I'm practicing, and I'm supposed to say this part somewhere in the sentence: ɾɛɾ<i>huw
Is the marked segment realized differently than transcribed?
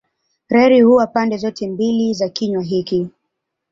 no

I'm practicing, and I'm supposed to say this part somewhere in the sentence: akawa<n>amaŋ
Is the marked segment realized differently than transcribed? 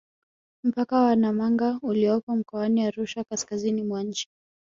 no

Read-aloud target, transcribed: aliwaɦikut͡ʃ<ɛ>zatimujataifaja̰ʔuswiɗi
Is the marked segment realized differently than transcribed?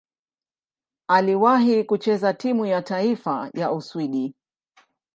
no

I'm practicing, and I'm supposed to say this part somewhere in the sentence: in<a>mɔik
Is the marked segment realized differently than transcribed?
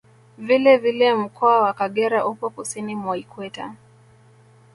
yes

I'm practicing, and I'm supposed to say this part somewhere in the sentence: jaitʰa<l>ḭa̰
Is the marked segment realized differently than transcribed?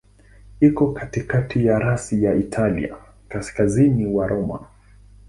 no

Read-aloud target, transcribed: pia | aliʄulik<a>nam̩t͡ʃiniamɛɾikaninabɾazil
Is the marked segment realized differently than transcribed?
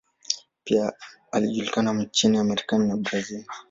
no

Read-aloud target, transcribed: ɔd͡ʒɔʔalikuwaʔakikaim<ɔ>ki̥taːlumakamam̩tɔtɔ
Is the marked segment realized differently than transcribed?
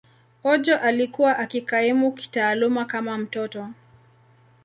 yes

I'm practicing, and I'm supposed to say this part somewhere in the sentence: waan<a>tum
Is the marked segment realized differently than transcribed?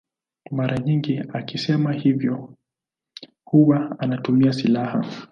no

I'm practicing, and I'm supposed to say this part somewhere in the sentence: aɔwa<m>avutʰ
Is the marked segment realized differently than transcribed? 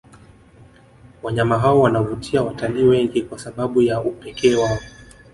yes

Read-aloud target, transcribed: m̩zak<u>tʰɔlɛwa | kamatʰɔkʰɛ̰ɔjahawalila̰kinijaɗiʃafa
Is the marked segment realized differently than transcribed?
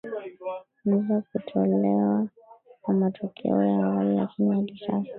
no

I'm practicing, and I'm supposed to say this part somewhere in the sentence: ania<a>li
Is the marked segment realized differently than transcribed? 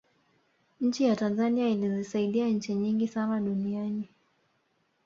yes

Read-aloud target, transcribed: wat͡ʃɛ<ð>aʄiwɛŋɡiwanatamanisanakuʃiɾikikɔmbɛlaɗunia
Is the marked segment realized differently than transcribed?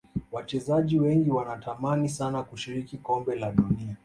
yes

